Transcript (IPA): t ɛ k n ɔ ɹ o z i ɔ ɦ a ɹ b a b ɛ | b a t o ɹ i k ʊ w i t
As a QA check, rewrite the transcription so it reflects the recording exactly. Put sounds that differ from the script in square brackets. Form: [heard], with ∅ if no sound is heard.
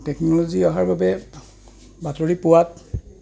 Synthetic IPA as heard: t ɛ k n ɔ [l] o z i ɔ ɦ a ɹ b a b ɛ | b a t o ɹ i [p] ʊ w [a] t